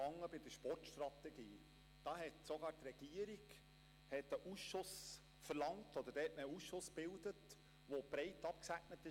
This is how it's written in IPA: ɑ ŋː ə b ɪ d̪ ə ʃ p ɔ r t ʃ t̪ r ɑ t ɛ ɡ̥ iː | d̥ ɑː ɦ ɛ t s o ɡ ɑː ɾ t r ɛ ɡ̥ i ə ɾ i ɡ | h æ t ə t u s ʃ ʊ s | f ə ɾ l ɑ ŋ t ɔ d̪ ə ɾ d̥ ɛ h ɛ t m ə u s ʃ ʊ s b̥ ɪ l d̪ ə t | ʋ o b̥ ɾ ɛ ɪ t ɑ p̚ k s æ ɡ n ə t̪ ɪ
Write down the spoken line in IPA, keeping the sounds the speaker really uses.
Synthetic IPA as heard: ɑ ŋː ə b ɪ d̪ ə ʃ p ɔ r t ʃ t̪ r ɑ t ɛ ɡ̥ iː | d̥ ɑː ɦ ɛ t s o ɡ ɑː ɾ t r ɛ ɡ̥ i ə ɾ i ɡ | h ɛ t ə ʔ u s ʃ ʊ s | f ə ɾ l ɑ ŋ t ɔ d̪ ə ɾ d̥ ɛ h ɛ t m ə u s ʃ ʊ s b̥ ɪ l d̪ ə t | ʋ o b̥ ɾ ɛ ɪ t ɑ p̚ k s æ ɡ n ə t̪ ɪ